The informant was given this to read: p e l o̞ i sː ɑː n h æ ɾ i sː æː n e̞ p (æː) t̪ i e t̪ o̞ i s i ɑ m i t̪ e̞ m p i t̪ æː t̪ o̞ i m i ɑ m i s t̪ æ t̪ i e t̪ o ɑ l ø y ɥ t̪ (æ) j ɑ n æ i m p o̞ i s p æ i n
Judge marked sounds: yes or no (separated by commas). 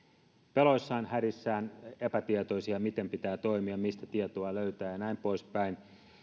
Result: no, no